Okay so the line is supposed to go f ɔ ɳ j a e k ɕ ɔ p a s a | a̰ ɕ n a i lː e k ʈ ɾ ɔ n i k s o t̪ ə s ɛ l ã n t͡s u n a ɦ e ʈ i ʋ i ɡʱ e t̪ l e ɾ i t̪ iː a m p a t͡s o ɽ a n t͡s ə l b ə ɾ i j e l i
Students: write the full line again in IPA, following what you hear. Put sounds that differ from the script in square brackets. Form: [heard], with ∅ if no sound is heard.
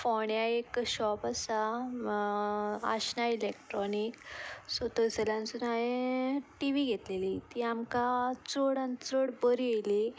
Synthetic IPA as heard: f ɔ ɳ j a e k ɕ ɔ p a s a | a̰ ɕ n a i [l] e k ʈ ɾ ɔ n i k s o t̪ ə s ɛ l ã n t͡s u n a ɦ e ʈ i ʋ i ɡʱ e t̪ l e [l] i t̪ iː a m [k] a t͡s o ɽ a n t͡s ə [ɽ] b ə ɾ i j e l i